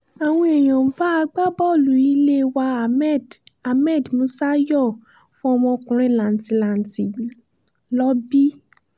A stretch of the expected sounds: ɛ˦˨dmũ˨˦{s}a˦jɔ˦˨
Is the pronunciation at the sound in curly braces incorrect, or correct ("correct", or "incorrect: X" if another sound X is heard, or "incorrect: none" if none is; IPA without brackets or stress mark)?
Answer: correct